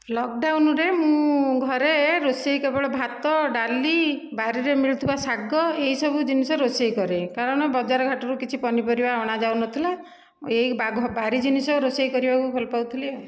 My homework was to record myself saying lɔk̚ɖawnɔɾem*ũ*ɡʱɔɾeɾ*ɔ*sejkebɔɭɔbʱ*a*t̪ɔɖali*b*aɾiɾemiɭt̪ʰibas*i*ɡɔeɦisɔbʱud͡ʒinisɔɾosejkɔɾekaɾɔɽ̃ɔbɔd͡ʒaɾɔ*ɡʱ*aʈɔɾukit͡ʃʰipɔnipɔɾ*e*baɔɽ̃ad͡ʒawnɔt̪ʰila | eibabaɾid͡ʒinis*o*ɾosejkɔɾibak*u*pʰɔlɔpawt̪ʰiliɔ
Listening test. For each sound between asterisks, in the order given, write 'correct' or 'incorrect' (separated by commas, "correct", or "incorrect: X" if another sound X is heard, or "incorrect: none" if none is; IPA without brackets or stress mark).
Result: correct, incorrect: o, correct, correct, incorrect: a, correct, incorrect: i, incorrect: ɔ, correct